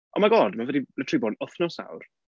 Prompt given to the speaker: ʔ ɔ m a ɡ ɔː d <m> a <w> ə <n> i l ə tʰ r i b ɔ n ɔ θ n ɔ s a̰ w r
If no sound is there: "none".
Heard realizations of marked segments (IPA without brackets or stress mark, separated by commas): m, v, d